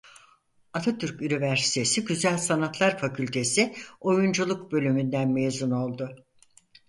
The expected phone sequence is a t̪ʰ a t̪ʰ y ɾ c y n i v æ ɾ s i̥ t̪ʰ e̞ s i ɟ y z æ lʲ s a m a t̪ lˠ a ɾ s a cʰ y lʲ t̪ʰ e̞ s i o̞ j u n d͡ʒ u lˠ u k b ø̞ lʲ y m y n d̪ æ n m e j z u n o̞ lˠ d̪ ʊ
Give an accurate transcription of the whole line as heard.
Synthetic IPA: a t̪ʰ a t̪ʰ y ɾ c y n i v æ ɾ s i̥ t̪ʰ e̞ s i ɟ y z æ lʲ s a n a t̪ lˠ a ɾ f a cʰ y lʲ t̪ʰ e̞ s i o̞ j u n d͡ʒ u lˠ u k b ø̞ lʲ y m y n d̪ æ n m e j z u n o̞ lˠ d̪ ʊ